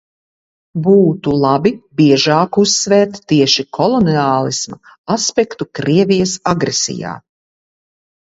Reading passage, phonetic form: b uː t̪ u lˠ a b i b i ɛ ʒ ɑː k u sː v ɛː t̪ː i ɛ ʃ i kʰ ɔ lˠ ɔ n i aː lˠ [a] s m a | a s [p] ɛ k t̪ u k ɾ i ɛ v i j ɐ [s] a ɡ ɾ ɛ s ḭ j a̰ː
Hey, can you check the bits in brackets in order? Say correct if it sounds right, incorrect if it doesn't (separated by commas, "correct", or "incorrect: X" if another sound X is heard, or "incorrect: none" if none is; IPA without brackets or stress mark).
incorrect: i, correct, correct